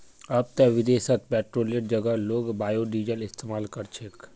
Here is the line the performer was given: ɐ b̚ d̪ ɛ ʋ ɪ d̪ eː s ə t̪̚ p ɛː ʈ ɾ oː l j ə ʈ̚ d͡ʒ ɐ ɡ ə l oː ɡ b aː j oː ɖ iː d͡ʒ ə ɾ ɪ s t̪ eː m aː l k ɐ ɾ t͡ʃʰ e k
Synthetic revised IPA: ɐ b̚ t̪ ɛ ʋ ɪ d̪ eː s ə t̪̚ p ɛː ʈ ɾ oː l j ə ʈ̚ d͡ʒ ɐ ɡ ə l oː ɡ b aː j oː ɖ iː d͡ʒ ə l ɪ s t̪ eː m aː l k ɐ ɾ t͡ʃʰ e k